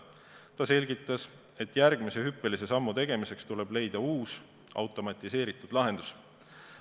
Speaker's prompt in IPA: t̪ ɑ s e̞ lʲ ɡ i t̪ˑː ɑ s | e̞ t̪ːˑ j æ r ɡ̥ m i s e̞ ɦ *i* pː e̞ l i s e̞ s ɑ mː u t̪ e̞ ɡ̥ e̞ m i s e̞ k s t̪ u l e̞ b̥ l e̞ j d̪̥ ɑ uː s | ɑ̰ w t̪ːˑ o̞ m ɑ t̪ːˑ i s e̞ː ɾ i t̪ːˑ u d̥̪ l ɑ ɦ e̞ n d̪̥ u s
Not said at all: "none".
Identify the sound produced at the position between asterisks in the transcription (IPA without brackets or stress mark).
y